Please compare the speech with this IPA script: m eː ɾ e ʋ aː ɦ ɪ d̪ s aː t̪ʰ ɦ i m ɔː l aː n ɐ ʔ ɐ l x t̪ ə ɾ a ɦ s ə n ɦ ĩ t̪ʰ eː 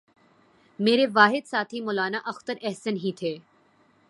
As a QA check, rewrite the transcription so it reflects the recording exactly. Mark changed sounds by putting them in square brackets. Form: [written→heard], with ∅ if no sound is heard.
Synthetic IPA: m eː ɾ e ʋ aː ɦ ɪ d̪ s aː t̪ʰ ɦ i m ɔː l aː n [ɐ→a] ʔ ɐ [l→∅] x t̪ ə ɾ [a→ɛ] ɦ s ə n ɦ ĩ t̪ʰ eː